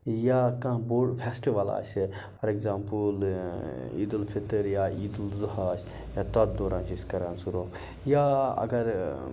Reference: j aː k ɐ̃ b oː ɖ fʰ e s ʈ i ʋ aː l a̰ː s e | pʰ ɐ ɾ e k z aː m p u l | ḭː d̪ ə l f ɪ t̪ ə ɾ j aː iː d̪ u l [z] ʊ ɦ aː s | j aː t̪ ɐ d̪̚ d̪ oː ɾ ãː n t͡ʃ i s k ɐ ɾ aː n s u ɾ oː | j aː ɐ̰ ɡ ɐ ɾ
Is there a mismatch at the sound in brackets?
no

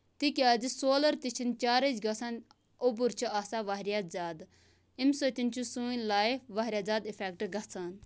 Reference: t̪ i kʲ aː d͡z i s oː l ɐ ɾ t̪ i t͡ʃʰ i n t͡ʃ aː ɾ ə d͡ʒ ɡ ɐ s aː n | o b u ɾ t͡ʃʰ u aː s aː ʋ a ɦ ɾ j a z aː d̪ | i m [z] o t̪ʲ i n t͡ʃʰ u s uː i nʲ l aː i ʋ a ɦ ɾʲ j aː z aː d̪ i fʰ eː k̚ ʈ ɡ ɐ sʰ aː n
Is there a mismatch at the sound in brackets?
yes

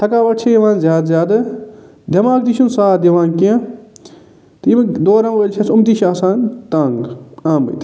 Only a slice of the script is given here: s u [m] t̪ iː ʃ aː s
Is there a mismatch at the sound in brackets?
no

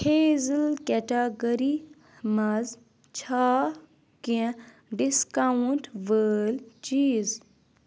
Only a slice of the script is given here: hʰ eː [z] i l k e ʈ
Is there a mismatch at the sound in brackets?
no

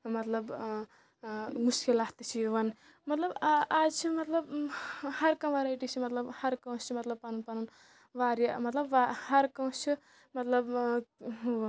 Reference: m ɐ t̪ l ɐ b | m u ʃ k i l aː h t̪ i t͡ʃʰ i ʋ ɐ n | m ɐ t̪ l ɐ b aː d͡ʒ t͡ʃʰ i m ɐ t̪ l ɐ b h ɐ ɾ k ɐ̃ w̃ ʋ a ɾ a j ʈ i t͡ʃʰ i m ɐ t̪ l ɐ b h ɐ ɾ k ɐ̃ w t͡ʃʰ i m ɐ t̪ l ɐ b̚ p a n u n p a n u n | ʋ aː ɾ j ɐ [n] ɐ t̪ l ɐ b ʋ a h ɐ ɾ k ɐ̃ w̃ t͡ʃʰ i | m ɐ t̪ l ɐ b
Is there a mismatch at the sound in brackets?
yes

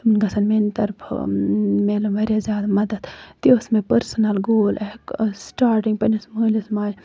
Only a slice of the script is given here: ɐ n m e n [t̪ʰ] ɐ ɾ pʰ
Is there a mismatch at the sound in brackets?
yes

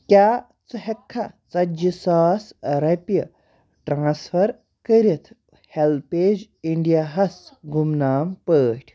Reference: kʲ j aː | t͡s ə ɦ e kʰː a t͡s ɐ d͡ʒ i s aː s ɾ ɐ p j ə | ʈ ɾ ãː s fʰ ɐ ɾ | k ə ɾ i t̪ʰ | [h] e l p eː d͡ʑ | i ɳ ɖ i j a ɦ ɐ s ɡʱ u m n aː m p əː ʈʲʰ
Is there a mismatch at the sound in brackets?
no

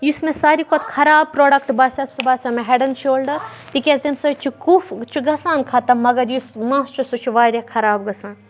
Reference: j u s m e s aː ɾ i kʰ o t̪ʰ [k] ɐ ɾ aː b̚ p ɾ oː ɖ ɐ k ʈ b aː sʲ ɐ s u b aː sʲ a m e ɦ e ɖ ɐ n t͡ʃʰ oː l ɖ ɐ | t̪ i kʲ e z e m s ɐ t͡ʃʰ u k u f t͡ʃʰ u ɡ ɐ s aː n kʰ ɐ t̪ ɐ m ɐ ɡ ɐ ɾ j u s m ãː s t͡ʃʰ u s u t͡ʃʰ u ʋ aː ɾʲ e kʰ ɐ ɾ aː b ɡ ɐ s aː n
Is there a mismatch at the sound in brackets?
yes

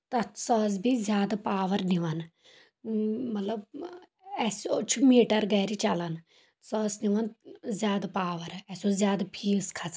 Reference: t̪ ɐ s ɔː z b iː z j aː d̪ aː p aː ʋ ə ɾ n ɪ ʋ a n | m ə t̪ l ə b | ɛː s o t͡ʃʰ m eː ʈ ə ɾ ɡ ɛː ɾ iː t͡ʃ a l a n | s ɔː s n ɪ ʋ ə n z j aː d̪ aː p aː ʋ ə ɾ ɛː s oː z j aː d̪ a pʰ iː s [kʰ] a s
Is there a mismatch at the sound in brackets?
no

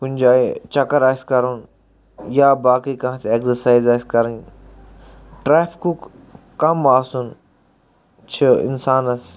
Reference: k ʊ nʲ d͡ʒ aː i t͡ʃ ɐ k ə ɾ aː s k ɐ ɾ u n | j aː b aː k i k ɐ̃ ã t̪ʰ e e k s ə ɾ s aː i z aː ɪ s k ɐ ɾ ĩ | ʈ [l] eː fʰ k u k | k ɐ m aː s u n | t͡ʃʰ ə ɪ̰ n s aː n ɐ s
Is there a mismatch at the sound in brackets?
yes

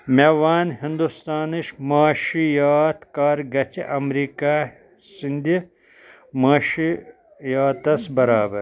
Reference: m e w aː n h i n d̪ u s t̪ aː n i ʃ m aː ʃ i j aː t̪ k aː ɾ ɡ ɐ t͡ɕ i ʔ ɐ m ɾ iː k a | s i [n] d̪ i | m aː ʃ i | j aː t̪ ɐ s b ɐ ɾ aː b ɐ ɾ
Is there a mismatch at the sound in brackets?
no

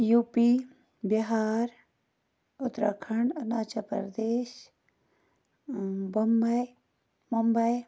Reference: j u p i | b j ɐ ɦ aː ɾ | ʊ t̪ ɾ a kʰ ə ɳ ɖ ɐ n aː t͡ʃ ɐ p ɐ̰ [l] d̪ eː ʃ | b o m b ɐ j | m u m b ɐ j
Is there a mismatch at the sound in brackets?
yes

